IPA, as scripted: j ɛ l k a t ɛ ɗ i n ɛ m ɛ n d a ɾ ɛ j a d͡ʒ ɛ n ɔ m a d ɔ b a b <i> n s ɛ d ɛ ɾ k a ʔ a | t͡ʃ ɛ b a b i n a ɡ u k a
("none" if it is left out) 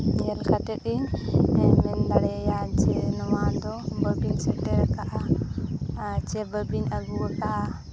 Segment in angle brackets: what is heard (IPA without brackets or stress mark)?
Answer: i